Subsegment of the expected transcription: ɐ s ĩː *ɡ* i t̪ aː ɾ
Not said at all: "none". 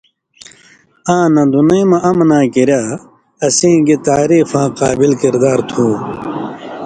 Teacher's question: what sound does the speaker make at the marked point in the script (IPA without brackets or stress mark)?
ɡ